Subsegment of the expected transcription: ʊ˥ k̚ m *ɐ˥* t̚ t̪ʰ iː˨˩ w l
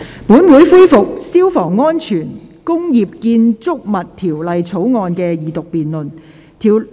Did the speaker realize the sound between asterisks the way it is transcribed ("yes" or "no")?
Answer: no